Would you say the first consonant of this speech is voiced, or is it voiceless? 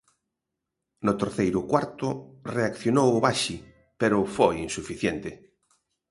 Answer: voiced